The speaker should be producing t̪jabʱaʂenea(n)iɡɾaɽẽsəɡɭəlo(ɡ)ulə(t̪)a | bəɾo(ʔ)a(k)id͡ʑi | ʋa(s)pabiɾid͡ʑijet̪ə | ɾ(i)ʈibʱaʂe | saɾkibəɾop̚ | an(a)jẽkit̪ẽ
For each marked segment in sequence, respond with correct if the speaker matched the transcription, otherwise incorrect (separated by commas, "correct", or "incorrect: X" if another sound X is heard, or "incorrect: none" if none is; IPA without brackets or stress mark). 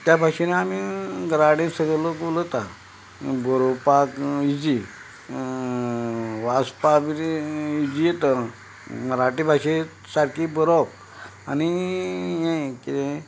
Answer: incorrect: m, incorrect: k, correct, incorrect: p, correct, correct, incorrect: a, incorrect: i